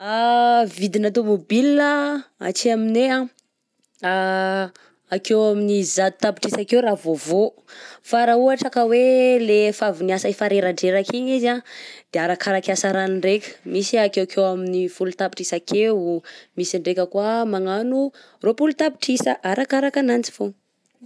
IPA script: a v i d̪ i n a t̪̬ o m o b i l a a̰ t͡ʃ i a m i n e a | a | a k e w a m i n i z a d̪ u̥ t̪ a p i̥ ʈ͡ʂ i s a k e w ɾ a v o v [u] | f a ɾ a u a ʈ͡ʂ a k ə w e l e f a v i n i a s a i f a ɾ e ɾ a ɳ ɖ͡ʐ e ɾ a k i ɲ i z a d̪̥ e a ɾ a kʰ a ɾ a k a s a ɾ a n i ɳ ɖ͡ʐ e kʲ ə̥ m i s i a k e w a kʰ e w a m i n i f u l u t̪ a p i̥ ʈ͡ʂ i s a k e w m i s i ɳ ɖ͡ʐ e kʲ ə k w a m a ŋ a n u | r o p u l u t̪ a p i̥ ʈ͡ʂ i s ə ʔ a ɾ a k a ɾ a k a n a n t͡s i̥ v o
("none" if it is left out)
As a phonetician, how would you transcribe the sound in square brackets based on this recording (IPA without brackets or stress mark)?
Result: o